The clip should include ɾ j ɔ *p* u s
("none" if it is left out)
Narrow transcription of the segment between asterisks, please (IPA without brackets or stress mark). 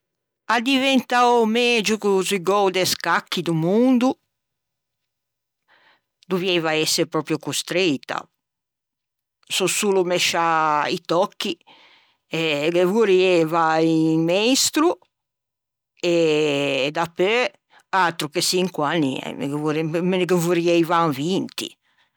k